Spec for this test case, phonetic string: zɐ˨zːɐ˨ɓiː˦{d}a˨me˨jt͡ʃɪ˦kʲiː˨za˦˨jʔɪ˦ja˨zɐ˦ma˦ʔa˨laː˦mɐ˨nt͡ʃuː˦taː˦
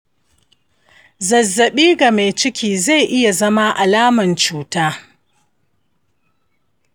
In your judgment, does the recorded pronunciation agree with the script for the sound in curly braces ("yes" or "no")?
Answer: no